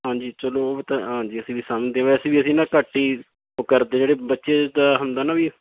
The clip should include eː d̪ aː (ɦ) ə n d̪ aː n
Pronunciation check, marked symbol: correct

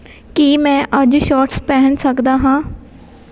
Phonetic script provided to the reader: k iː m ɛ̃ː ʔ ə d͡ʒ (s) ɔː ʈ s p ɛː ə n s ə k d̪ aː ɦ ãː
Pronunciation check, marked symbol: incorrect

